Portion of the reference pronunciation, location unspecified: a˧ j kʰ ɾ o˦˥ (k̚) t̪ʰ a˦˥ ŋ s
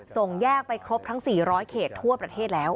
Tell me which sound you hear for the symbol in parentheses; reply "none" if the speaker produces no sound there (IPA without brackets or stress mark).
p̚